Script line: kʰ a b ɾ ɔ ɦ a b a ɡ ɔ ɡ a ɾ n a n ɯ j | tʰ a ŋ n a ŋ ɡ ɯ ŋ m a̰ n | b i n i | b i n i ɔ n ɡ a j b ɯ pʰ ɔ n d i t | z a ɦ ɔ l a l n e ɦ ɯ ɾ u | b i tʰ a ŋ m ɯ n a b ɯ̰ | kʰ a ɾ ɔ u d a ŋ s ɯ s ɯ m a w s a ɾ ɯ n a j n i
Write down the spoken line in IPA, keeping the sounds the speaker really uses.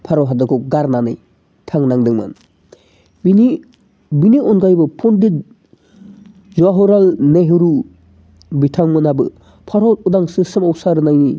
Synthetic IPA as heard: pʰ a ɾ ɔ ɦ a d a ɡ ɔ ɡ a ɾ n a n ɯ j | tʰ a ŋ n a ŋ d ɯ ŋ m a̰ n | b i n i | b i n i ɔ n ɡ a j b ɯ pʰ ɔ n d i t | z a ɦ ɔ ɾ a l n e ɦ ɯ ɾ u | b i tʰ a ŋ m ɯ n a b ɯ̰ | pʰ a ɾ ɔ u d a ŋ s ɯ s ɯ m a w s a ɾ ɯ n a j n i